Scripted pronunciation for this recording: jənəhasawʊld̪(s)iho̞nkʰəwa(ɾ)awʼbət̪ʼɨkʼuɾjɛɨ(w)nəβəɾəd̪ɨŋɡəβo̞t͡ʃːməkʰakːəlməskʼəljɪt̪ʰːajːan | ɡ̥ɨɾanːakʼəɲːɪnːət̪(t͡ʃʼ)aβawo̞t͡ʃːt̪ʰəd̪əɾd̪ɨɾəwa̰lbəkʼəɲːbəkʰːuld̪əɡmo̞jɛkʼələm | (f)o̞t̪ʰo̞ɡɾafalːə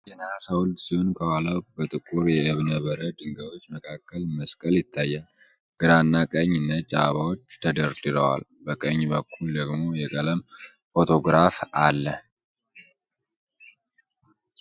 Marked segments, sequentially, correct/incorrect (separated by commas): correct, incorrect, incorrect, correct, correct